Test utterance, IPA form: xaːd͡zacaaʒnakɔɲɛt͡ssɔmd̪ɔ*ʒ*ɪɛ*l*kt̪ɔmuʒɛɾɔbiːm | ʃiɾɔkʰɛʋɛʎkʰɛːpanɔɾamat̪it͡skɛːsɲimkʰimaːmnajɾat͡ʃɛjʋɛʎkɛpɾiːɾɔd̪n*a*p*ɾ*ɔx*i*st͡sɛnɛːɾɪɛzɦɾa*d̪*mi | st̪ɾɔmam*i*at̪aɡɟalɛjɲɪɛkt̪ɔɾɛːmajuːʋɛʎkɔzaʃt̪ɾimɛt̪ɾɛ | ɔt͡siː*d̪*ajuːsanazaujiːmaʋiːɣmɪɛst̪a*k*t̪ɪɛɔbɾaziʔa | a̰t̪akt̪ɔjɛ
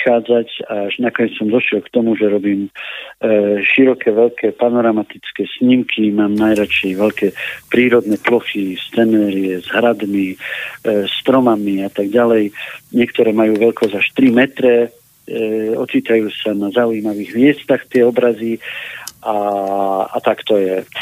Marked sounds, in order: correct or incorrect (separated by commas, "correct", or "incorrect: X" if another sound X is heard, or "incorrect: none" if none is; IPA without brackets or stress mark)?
incorrect: ʃ, correct, incorrect: ɛ, incorrect: l, correct, correct, correct, incorrect: t̪, incorrect: x